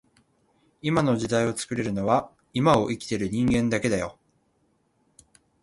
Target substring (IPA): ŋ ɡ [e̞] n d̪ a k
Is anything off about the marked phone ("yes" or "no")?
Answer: yes